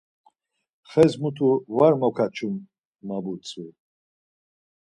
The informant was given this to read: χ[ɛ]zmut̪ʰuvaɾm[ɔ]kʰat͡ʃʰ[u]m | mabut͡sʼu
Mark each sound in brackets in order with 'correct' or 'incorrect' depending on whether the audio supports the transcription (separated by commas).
correct, correct, correct